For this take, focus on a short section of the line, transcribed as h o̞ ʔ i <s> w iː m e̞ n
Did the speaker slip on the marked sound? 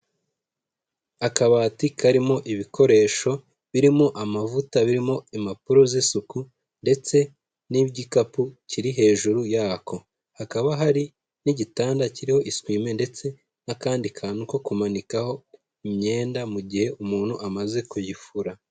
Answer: no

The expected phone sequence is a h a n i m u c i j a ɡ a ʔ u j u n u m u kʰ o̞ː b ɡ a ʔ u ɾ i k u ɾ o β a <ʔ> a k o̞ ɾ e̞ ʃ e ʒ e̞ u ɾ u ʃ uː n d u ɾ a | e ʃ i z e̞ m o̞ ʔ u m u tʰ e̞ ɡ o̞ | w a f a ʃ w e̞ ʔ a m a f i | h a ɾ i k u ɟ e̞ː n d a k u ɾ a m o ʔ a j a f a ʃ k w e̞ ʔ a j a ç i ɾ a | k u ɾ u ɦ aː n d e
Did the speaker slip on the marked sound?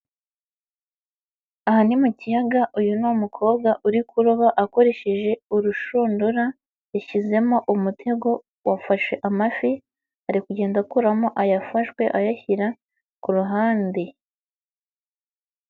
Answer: no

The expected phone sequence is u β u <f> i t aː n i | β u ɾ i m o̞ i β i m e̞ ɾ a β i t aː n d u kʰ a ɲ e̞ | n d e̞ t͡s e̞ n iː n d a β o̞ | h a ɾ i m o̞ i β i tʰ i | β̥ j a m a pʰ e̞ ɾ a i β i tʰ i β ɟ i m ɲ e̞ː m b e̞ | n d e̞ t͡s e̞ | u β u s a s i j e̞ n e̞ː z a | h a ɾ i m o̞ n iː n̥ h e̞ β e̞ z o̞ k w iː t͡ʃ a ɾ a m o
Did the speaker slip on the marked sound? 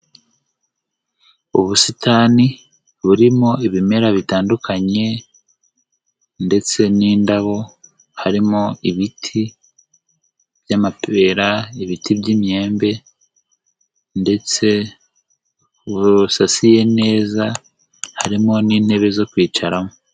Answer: yes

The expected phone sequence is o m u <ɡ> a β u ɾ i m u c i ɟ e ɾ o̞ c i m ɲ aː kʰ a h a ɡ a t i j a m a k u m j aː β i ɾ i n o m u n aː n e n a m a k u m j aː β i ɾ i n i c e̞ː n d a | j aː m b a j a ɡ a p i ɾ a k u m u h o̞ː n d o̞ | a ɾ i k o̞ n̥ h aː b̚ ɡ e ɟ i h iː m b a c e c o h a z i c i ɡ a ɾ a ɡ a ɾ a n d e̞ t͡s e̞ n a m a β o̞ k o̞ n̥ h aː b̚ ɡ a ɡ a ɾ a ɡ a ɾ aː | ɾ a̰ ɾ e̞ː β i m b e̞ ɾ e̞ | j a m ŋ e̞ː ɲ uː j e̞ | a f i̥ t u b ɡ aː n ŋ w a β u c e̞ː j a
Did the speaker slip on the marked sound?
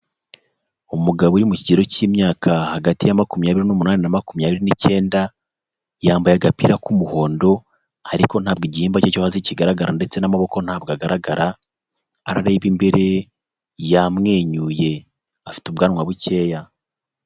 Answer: no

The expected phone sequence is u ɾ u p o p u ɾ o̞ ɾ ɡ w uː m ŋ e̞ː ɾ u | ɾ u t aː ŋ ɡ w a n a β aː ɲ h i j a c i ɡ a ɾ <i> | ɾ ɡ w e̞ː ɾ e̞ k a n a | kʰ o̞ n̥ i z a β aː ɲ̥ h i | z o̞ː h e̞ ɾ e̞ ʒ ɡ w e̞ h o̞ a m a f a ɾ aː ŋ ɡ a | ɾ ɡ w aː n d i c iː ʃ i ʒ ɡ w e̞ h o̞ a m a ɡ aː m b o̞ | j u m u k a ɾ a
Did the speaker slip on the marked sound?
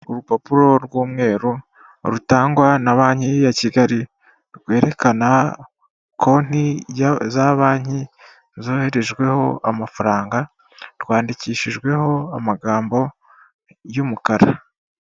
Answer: no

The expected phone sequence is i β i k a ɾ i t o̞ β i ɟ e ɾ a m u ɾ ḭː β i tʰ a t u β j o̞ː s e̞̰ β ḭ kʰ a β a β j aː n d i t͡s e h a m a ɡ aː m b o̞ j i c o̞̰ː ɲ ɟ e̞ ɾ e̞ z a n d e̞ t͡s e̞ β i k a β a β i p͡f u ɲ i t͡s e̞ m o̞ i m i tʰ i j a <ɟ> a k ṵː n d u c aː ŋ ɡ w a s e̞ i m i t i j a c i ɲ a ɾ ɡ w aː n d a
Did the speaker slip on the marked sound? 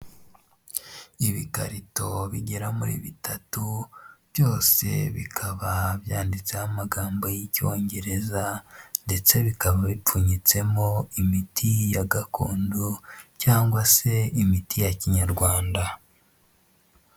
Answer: yes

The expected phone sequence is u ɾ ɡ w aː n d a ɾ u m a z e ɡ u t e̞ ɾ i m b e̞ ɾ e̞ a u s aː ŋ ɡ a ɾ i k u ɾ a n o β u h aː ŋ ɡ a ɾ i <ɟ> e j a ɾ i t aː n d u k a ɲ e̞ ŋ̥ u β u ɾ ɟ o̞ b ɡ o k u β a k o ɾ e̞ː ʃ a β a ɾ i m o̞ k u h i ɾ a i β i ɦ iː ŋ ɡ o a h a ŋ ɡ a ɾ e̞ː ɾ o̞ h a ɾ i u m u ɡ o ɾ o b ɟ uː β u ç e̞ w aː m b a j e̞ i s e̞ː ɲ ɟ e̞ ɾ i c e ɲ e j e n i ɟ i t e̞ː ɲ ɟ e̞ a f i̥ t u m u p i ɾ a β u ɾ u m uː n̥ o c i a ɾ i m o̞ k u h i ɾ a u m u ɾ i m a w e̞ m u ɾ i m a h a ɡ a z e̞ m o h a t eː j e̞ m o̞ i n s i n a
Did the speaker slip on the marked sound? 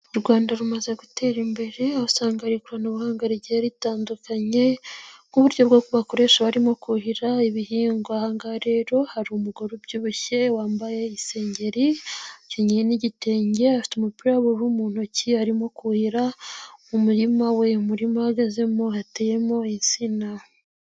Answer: no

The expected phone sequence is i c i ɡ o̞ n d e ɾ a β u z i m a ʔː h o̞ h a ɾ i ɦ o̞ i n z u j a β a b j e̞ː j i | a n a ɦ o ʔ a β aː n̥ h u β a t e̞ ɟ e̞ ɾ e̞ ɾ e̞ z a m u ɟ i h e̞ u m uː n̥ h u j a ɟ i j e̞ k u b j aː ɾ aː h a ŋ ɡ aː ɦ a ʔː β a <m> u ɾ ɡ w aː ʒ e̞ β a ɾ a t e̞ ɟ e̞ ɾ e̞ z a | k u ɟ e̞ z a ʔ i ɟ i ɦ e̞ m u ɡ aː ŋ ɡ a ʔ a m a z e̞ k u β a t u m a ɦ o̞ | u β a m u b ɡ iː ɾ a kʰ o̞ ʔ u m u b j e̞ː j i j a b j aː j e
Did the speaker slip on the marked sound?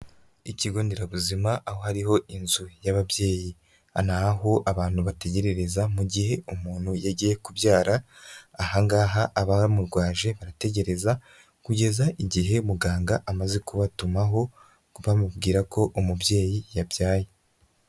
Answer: no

